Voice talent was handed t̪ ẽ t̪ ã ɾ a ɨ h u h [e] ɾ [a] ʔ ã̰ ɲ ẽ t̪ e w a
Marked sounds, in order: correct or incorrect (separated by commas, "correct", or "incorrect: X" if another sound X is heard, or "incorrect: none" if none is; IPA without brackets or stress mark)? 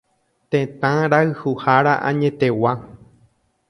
incorrect: a, correct